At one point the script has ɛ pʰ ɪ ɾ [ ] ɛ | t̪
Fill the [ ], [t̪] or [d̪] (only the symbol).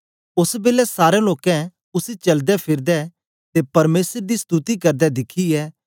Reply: d̪